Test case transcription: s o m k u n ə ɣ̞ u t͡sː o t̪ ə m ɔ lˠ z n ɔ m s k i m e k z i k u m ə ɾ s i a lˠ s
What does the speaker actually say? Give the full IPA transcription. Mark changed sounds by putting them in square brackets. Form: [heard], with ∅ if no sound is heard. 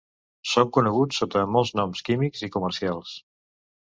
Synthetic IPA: s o [ŋ] k u n ə ɣ̞ u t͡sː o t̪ ə m ɔ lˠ z n ɔ m s k i m [i] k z i k u m ə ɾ s i a lˠ s

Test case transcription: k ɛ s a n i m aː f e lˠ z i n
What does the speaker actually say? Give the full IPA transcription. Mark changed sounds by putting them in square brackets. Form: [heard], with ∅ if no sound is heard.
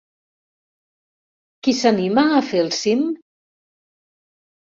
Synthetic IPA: k [i] s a n i m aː f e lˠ [s] i [m]

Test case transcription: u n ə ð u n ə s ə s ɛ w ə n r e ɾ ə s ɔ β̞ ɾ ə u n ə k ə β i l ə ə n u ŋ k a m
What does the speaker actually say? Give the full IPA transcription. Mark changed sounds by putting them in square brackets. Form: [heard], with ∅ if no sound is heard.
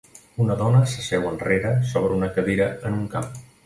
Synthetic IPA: u n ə ð [ɔ] n ə s ə s ɛ w ə n r e ɾ ə s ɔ β̞ ɾ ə u n ə k ə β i [ɾ] ə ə n u ŋ k a m

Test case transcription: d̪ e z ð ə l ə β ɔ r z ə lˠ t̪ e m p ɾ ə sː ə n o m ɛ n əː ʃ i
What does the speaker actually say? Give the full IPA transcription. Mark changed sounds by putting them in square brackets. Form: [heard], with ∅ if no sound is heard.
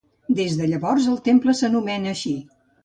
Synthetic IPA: d̪ e z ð ə [ʎ] ə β ɔ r z ə lˠ t̪ e m p [l] ə [s] ə n [u] m ɛ n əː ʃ i

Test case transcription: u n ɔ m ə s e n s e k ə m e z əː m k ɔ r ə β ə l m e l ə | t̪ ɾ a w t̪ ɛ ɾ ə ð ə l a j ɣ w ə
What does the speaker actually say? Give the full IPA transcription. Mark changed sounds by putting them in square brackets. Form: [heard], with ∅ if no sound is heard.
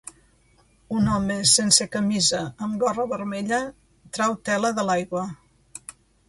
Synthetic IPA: u n ɔ m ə s e n s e k ə m [i] z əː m [ɡ] ɔ r ə β ə [ɾ] m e [ʎ] ə | t̪ ɾ a w t̪ ɛ [l] ə ð ə l a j ɣ w ə

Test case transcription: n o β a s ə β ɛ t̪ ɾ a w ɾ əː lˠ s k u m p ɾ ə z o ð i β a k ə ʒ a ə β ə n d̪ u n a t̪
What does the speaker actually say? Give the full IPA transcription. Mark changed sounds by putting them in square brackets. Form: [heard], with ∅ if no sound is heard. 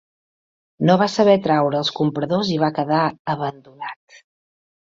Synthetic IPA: n o β a s ə β ɛ t̪ ɾ a w ɾ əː lˠ s k u m p ɾ ə [ð] o [z] i β a k ə [ð] a ə β ə n d̪ u n a t̪

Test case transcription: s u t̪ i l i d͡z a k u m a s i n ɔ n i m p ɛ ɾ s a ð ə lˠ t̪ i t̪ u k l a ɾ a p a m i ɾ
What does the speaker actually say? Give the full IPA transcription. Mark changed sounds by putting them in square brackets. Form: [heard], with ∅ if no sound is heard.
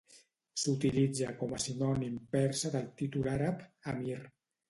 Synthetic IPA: s u t̪ i l i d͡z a k [ɔ] m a s i n ɔ n i m p ɛ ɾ s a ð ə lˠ t̪ i t̪ u [∅] l a ɾ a p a m i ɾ

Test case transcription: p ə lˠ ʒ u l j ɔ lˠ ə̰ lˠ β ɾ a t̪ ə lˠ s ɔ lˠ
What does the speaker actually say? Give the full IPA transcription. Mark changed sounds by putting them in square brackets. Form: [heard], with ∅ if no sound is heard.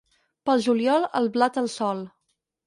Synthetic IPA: p ə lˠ ʒ u l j ɔ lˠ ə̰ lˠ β [l] a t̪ ə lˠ s ɔ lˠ

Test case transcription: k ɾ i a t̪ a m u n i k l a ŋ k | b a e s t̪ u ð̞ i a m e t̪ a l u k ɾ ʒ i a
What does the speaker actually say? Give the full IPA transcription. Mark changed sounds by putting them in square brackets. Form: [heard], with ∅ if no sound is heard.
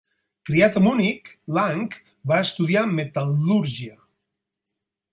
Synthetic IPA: k ɾ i a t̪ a m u n i k l a ŋ k | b a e s t̪ u ð̞ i a m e t̪ a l u [∅] ɾ ʒ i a

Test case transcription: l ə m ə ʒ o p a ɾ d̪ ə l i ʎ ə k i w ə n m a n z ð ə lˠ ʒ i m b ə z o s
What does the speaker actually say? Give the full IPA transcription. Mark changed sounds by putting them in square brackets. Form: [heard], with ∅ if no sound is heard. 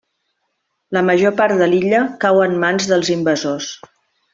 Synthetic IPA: l ə m ə ʒ o p a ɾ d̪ ə l i ʎ ə k [a] w ə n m a n z ð ə lˠ [z] i m b ə z o s

